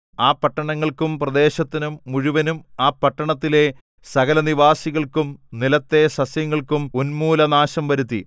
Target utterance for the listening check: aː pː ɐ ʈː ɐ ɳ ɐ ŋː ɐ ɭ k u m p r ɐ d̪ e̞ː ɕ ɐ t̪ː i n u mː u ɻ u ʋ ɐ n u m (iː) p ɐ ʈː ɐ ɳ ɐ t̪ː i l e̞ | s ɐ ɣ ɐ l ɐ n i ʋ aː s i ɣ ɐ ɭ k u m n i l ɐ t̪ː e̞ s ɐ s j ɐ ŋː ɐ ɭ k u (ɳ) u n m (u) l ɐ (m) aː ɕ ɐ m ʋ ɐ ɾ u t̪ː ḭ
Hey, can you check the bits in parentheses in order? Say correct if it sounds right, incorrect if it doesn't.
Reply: incorrect: aː, incorrect: m, incorrect: uː, incorrect: n

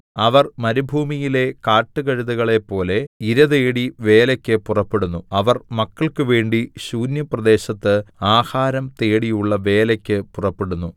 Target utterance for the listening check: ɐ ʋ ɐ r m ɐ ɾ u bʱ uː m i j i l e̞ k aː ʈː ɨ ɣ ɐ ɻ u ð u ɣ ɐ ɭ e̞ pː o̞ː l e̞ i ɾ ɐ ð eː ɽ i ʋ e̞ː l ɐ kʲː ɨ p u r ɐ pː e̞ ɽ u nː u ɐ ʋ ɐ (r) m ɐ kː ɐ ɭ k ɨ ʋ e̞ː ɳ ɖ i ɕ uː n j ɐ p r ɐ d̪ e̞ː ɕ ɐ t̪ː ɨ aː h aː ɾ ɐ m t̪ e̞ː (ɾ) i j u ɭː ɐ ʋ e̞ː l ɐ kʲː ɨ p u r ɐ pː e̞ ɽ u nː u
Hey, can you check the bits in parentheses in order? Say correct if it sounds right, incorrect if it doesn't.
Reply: correct, incorrect: ɽ

